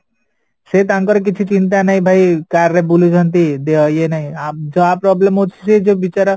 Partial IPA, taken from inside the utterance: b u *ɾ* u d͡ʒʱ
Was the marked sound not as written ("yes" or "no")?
yes